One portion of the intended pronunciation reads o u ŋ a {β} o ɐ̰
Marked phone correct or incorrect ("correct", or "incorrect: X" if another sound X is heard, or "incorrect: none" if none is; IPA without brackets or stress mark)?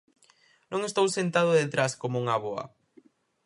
correct